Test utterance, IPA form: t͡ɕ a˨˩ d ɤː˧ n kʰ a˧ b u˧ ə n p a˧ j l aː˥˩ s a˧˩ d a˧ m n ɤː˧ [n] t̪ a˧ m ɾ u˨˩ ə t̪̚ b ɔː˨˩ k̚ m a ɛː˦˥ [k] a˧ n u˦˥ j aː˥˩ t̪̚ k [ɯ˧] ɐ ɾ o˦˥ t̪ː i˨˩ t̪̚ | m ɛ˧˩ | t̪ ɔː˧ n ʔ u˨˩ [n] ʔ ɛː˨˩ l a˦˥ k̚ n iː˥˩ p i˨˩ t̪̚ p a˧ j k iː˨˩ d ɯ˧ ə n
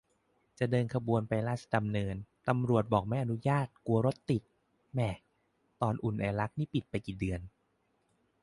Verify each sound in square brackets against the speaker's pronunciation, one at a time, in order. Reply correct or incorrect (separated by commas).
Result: correct, incorrect, incorrect, correct